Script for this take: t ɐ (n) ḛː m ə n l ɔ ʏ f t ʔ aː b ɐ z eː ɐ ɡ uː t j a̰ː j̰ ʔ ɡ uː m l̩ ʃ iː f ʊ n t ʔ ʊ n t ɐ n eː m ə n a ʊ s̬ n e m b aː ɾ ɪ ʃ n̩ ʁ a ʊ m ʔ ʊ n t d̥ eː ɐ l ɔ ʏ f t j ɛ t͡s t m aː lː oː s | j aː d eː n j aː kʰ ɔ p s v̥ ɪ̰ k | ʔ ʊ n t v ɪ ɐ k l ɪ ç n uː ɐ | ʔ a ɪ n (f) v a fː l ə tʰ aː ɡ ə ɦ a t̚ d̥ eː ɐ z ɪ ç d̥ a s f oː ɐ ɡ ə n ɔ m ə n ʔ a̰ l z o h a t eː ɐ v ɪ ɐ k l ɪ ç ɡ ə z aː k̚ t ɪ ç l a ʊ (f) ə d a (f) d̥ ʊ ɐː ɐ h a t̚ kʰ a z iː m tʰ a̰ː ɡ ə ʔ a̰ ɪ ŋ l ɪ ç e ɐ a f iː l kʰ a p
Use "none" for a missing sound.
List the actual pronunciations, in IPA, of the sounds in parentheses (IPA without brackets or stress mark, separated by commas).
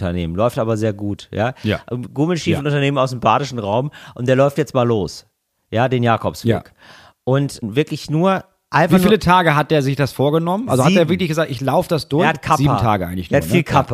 n, f, f, s